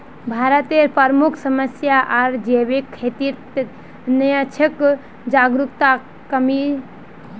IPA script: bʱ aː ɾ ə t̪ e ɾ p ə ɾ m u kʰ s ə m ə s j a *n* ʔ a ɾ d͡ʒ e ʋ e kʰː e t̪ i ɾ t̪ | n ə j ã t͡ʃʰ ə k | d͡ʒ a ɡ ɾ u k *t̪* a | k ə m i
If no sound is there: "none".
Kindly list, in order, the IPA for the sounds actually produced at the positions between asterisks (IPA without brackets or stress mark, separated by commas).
none, t̪